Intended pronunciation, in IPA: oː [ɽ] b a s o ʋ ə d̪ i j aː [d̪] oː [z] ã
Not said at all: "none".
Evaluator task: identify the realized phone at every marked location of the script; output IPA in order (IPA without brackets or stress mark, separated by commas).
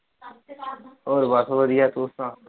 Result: ɾ, t̪, s